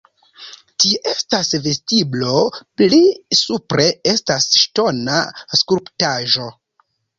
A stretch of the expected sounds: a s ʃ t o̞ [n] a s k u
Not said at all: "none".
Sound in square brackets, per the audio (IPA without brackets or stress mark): n